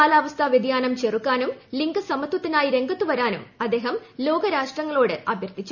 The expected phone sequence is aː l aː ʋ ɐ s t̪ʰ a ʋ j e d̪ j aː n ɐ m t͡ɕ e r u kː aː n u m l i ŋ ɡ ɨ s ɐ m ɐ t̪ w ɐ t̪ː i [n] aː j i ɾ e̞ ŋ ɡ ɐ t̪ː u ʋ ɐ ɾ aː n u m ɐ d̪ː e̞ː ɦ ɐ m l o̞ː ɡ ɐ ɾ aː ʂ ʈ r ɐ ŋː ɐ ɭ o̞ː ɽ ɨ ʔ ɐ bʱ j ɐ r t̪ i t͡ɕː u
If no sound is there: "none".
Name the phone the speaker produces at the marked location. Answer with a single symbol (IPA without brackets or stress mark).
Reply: n